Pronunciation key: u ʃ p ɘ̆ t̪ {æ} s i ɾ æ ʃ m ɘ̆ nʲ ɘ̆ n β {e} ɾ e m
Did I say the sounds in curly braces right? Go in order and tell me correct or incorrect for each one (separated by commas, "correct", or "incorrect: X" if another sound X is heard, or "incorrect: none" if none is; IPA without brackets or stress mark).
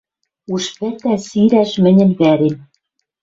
correct, incorrect: æ